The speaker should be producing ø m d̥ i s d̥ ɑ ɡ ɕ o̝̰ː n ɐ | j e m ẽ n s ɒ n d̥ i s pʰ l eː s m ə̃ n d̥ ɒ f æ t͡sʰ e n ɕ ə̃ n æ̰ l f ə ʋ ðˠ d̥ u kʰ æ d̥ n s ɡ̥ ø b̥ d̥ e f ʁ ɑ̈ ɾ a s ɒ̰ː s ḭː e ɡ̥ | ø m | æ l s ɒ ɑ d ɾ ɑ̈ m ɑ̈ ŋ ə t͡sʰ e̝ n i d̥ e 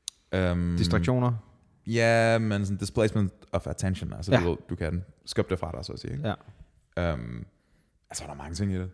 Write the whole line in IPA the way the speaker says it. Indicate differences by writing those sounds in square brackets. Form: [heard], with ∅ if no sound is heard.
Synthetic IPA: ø m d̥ i s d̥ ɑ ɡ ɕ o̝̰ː n ɐ | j [æ] m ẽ n s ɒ n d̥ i s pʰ l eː s m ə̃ n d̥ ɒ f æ t͡sʰ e n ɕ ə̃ n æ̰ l [s] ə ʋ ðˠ d̥ u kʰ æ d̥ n s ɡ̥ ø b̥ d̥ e f ʁ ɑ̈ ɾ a s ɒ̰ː s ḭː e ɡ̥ | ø m | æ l s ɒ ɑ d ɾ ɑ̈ m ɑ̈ ŋ ə t͡sʰ e̝ [ŋ] i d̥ e